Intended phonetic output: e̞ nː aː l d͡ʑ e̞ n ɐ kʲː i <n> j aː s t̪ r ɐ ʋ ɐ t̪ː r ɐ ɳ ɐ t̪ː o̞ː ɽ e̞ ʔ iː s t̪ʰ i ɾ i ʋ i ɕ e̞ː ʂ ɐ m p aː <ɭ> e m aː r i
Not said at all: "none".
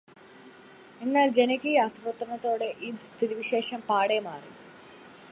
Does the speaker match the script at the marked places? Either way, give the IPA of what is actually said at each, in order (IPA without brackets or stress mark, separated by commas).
none, ɽ